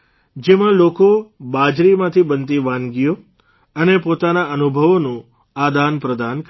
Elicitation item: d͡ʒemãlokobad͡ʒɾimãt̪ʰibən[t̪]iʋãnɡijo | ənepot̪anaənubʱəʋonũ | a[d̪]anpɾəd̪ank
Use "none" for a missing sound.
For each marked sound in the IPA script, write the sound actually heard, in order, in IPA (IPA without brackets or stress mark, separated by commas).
t̪, d̪